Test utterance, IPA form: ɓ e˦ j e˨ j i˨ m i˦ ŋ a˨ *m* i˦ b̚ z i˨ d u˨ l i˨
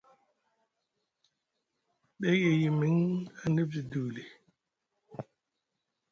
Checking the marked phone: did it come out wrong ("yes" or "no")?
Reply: yes